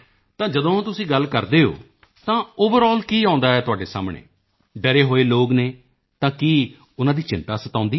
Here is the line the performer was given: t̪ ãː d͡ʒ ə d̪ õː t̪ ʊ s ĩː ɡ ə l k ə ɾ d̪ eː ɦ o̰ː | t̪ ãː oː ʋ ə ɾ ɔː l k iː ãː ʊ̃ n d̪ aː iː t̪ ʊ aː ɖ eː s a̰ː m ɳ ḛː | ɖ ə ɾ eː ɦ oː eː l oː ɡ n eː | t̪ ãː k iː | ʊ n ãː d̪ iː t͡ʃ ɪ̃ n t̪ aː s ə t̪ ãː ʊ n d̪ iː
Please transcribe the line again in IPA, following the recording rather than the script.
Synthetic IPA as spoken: t̪ ãː d͡ʒ ə d̪ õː t̪ ʊ s ĩː ɡ ə l k ə ɾ d̪ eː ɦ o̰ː | t̪ ãː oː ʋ ə ɾ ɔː l k iː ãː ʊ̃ n d̪ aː ɛː t̪ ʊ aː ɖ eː s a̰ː m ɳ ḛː | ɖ ə ɾ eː ɦ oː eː l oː ɡ n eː | t̪ ãː k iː | ʊ n ãː d̪ iː t͡ʃ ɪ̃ n t̪ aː s ə t̪ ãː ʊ n d̪ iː